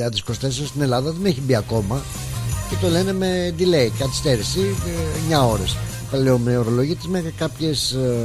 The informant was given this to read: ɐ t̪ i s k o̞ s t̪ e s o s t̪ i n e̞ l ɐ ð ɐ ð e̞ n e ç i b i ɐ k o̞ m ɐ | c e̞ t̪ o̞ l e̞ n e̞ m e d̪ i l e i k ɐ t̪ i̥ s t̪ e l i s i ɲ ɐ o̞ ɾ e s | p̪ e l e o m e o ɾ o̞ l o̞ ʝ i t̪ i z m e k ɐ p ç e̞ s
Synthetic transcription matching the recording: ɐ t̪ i s k o̞ s t̪ e s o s t̪ i n e̞ l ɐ ð ɐ ð e̞ n e ç i b i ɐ k o̞ m ɐ | c e̞ t̪ o̞ l e̞ n e̞ m e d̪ i l e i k ɐ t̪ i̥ s t̪ e ɾ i s i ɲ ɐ o̞ ɾ e s | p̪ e l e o m e o ɾ o̞ l o̞ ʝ i t̪ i z m e k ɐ p ç e̞ s